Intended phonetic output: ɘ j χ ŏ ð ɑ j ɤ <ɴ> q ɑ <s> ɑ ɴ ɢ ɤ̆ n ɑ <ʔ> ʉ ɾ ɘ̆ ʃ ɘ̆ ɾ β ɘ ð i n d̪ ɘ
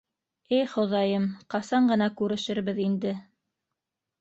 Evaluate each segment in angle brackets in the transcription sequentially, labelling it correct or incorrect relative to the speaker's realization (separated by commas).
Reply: incorrect, correct, incorrect